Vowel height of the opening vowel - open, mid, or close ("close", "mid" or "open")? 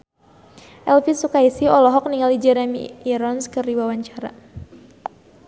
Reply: mid